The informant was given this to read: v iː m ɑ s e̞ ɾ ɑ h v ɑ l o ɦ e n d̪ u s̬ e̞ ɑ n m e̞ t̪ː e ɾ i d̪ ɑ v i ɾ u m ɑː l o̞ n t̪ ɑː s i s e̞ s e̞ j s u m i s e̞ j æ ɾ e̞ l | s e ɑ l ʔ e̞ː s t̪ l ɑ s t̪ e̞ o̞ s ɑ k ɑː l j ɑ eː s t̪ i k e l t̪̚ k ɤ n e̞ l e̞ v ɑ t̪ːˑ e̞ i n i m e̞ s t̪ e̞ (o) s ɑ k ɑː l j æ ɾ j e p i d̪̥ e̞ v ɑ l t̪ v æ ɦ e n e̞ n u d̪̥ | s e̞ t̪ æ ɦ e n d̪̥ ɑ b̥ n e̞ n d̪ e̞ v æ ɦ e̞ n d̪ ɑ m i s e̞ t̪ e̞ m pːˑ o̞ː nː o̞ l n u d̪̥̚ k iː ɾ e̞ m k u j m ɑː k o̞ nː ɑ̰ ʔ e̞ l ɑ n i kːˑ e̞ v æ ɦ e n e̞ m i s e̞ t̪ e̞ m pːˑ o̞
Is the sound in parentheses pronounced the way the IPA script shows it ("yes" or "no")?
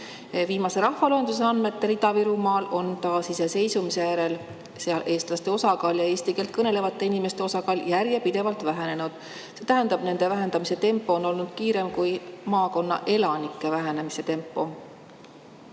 yes